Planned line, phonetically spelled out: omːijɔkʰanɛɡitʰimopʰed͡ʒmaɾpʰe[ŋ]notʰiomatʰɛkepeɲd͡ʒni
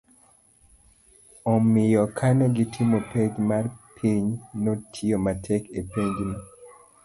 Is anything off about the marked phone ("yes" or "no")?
yes